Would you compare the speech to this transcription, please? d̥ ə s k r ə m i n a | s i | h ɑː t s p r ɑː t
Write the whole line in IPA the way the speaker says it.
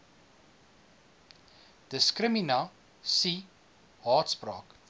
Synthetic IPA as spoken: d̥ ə s k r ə m i n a | s i | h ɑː t s p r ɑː k